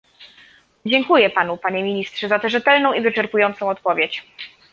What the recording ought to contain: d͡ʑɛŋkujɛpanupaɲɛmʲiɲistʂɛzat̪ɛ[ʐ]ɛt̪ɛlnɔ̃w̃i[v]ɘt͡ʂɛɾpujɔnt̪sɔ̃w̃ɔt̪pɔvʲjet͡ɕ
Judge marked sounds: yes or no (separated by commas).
yes, yes